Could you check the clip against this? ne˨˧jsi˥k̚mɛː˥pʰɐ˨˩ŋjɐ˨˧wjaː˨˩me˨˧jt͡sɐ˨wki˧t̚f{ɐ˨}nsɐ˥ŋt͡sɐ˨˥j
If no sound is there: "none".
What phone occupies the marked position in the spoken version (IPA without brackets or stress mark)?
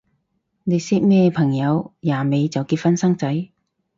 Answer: ɐ˥